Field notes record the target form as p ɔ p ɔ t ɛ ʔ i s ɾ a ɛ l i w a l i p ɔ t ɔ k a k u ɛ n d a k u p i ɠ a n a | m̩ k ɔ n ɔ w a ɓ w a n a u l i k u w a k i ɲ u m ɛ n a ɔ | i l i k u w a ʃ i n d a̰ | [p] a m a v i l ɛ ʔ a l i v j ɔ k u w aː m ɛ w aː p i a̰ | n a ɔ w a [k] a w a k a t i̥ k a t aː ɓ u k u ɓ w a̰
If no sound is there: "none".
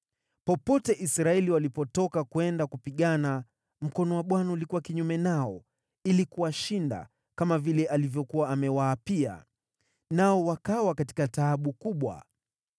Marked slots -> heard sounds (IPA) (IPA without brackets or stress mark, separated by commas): k, k